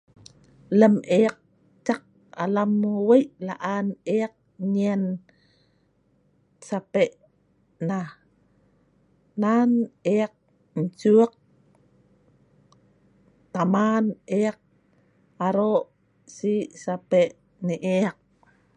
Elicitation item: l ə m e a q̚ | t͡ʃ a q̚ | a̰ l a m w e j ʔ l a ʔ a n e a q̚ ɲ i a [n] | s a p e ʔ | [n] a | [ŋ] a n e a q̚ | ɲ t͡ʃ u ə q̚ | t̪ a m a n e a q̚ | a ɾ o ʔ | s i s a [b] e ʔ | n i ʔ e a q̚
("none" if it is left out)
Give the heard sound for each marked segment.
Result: n, n, n, p

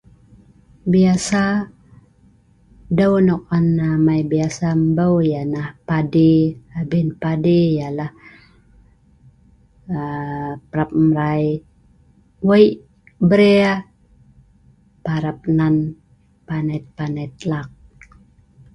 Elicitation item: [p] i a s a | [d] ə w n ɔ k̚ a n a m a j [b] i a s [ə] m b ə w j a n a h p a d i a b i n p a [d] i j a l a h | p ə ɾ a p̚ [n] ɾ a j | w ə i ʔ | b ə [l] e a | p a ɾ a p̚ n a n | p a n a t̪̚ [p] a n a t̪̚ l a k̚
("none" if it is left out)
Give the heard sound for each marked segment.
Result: b, d, b, a, d, m, ɾ, p

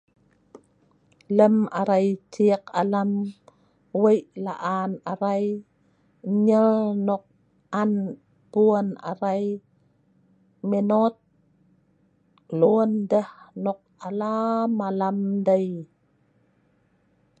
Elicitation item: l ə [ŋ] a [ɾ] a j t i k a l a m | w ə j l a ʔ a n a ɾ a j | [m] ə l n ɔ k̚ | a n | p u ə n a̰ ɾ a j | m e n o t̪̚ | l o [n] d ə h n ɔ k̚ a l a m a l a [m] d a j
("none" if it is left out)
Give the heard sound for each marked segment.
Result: m, ɾ, ɲ, n, m

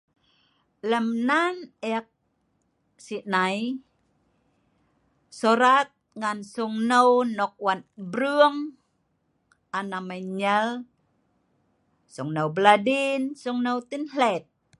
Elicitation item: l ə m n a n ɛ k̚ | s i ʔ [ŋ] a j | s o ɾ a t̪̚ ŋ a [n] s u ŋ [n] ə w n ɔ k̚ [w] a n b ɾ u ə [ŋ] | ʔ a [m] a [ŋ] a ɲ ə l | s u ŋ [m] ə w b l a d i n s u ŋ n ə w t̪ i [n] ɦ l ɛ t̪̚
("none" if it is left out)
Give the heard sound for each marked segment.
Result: n, n, n, w, ŋ, n, m, n, n

